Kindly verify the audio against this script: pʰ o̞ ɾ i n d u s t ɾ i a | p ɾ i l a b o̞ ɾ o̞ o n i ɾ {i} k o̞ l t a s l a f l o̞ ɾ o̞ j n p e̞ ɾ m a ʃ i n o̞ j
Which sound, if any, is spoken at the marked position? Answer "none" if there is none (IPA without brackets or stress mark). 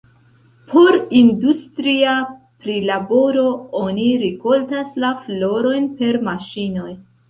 i